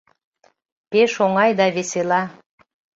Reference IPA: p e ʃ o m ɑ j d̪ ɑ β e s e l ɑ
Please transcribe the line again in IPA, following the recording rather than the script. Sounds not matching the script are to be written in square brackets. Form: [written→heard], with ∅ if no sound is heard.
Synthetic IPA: p e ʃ o [m→ŋ] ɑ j d̪ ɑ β e s e l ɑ